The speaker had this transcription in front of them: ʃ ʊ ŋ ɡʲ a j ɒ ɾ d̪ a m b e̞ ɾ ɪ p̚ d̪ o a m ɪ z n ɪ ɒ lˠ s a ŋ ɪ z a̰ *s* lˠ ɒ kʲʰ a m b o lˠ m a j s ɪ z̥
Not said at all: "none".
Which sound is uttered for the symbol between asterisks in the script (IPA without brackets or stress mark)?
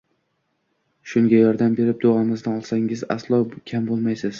s